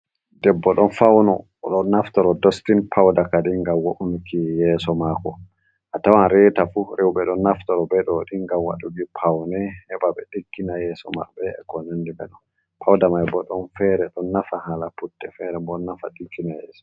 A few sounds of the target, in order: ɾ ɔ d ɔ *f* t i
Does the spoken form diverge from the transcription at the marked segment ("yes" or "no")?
yes